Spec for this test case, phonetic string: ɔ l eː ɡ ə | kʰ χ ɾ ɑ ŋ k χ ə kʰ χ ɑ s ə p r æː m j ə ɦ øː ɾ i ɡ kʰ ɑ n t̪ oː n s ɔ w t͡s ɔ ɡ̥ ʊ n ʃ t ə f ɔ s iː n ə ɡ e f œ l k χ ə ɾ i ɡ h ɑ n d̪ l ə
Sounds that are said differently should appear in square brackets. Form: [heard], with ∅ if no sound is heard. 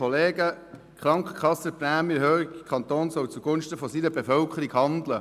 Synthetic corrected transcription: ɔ l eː ɡ ə | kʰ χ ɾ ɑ ŋ k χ ə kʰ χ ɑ s ə p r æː m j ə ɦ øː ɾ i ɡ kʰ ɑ n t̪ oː n s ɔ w t͡s [u] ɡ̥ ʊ n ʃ t ə f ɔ s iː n ə [b] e f œ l k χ ə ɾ i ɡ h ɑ n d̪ l ə